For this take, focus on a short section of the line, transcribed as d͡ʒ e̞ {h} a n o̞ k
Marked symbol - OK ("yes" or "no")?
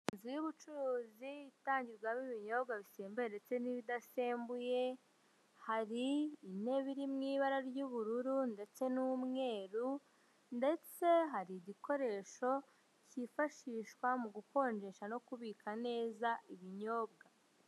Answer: no